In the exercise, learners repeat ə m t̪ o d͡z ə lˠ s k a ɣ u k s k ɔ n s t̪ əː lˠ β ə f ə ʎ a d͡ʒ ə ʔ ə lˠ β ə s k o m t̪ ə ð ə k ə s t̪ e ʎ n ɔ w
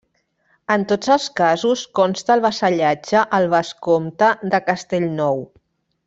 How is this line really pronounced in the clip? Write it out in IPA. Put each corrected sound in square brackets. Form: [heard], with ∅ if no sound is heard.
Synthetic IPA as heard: ə [n] t̪ o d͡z ə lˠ s k a [z] u [∅] s k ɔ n s t̪ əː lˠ β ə [s] ə ʎ a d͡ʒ ə ʔ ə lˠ β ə s k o m t̪ ə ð ə k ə s t̪ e ʎ n ɔ w